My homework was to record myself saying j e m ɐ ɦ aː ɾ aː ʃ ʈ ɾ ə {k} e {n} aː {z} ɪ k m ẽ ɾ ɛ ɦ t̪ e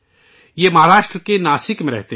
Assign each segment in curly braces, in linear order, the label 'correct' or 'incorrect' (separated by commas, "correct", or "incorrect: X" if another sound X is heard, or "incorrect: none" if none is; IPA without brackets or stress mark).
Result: correct, correct, incorrect: s